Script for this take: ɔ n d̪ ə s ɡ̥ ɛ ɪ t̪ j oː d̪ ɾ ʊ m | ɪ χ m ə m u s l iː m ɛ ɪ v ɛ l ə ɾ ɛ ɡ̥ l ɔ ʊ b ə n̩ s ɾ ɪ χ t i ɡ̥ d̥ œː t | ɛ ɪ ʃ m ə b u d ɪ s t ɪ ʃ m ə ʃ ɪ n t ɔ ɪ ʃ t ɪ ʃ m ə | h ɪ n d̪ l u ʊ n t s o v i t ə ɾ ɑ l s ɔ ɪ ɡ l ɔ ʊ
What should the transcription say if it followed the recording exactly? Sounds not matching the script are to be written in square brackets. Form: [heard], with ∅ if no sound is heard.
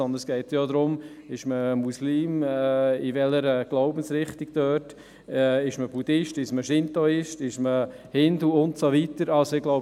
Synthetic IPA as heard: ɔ n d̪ ə s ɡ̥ ɛ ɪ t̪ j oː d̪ ɾ ʊ m | ɪ [ʃ] m ə m u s l iː m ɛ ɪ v ɛ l ə ɾ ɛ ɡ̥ l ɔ ʊ b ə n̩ s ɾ ɪ χ t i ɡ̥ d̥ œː t | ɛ ɪ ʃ m ə b u d ɪ [ʃ] t ɪ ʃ m ə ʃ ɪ n t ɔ ɪ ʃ t ɪ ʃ m ə | h ɪ n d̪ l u ʊ n t s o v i t ə ɾ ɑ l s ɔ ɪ ɡ l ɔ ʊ